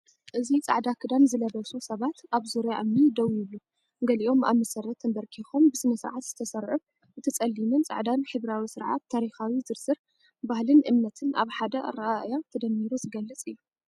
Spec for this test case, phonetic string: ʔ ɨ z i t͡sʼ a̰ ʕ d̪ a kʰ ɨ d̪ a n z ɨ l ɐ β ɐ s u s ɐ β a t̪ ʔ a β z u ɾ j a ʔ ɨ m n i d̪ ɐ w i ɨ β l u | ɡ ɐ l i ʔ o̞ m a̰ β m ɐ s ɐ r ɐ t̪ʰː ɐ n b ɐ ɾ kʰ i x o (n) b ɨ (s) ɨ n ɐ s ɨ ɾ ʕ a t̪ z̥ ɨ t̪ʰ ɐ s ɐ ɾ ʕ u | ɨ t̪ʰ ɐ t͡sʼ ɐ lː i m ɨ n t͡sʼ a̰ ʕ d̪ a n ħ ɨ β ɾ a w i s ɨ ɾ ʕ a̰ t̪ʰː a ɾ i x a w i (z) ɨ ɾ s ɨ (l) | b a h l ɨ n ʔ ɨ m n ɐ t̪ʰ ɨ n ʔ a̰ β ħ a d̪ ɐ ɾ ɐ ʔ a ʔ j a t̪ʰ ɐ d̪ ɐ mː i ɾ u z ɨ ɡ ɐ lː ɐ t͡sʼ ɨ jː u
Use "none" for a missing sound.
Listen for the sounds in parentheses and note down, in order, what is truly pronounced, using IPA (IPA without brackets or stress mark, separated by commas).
m, s, z, ɾ